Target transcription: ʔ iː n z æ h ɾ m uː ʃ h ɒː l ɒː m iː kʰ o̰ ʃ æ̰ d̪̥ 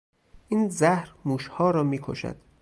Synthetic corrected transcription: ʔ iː n z æ h ɾ m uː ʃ h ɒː ɾ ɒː m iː kʰ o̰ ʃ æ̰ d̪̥

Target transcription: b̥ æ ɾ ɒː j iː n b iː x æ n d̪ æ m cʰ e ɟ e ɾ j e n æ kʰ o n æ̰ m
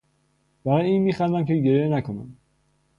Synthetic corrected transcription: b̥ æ ɾ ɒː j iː n m iː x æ n d̪ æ m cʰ e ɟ e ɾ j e n æ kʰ o n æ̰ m

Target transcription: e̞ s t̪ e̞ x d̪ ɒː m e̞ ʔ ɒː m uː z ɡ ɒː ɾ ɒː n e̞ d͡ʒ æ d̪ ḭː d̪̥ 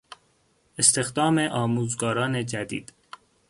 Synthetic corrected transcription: e̞ s t̪ e̞ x d̪ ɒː m e̞ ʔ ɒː m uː z ɡ ɒː ɾ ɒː n e̞ d͡ʒ æ d̪ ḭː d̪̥

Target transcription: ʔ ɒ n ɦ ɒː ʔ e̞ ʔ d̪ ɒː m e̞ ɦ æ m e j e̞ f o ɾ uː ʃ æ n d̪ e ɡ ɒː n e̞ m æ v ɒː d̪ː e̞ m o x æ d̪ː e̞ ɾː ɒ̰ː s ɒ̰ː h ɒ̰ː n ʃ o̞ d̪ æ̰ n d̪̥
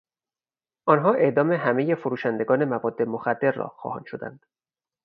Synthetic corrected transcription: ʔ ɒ n ɦ ɒː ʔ e̞ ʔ d̪ ɒː m e̞ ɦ æ m e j e̞ f o ɾ uː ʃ æ n d̪ e ɡ ɒː n e̞ m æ v ɒː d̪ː e̞ m o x æ d̪ː e̞ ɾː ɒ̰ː x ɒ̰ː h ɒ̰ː n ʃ o̞ d̪ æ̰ n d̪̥

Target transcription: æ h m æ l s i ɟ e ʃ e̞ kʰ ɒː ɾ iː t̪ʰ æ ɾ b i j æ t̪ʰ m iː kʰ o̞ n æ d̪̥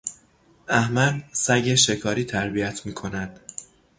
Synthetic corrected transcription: æ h m æ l s æ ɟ e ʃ e̞ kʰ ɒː ɾ iː t̪ʰ æ ɾ b i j æ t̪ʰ m iː kʰ o̞ n æ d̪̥

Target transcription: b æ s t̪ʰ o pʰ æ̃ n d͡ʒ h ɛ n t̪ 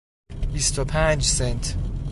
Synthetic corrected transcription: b i s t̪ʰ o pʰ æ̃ n d͡ʒ s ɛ n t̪

